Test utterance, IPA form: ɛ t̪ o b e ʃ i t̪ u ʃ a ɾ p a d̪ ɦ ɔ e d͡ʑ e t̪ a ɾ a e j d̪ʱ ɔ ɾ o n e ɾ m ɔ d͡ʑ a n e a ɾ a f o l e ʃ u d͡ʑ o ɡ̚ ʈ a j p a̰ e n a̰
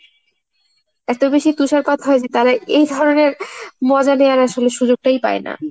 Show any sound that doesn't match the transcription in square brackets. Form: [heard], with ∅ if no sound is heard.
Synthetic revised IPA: ɛ t̪ o b e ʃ i t̪ u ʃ a ɾ p a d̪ ɦ ɔ e d͡ʑ e t̪ a ɾ a e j d̪ʱ ɔ ɾ o n e ɾ m ɔ d͡ʑ a n e a ɾ a [ʃ] o l e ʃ u d͡ʑ o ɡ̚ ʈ a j p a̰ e n a̰

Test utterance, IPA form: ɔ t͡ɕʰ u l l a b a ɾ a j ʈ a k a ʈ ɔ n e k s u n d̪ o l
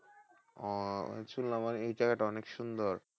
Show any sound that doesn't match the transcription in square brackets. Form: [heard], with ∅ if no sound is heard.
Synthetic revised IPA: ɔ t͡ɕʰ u l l a [m] a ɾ [e] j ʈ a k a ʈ ɔ n e k [ʃ] u n d̪ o [ɾ]

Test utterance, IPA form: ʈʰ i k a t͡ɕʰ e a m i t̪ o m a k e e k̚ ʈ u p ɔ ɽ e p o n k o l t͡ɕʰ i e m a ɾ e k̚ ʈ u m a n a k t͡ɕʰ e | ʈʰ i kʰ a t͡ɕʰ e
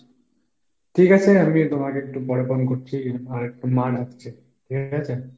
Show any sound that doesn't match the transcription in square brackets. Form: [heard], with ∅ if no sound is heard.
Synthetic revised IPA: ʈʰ i k a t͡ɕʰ e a m i t̪ o m a k e e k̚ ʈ u p ɔ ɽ e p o n k o [ɾ] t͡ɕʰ i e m a ɾ e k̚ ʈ u m a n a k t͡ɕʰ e | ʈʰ i [k] a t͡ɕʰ e

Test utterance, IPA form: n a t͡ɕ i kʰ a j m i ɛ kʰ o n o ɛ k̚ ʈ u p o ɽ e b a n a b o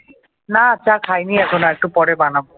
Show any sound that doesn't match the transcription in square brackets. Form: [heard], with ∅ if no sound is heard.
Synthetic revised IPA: n a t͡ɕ [a] kʰ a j [n] i ɛ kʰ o n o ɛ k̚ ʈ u p [ɔ] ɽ e b a n a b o

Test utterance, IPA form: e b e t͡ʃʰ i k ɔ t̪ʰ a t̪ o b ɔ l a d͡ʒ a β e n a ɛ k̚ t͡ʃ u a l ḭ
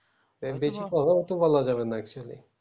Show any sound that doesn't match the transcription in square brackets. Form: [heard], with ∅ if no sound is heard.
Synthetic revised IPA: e b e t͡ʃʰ i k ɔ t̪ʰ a t̪ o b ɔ l a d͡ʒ a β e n a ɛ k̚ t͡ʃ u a l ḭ

